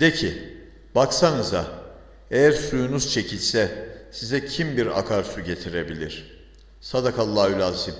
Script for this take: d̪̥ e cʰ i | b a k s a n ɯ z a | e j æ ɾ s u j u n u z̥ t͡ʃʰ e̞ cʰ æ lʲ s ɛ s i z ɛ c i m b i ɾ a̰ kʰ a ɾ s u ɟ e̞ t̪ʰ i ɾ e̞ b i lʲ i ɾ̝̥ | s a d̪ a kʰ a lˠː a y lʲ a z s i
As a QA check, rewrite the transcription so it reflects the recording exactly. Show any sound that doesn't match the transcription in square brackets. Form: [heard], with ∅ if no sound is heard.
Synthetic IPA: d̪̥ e cʰ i | b a k s a n ɯ z a | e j æ ɾ s u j u n u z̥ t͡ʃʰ e̞ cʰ [i] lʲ s ɛ s i z ɛ [cʰ] i m b i ɾ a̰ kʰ a ɾ s u ɟ e̞ t̪ʰ i ɾ e̞ b i lʲ i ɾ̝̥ | s a d̪ a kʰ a lˠː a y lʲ a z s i